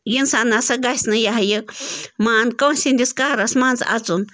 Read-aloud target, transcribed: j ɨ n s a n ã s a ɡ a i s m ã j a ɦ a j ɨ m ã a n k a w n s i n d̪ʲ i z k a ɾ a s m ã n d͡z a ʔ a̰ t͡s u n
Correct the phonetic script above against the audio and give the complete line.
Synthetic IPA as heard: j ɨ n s a n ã s a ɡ a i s n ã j a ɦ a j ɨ m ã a n k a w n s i n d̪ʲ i s k a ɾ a s m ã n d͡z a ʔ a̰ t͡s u n